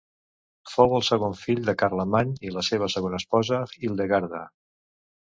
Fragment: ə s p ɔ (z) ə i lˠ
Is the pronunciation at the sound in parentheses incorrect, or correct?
correct